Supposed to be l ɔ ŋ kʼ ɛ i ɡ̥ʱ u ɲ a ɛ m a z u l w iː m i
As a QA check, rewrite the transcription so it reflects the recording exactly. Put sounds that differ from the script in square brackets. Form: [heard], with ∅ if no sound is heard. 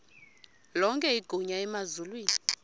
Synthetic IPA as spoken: l ɔ ŋ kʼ ɛ i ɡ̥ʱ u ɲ a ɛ m a z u l w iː [n] i